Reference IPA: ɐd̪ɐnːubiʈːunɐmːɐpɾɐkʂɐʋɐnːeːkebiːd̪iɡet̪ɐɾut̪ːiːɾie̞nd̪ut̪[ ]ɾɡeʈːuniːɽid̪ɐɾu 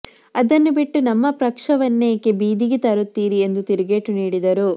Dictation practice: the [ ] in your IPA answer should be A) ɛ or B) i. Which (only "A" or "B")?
B